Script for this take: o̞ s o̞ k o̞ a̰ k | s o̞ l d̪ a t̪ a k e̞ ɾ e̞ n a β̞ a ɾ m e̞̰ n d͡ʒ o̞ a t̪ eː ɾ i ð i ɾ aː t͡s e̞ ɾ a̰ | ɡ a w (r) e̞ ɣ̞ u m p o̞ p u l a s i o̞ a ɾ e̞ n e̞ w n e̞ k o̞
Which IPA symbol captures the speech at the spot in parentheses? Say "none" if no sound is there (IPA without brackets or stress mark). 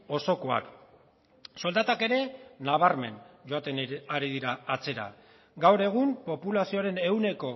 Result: ɾ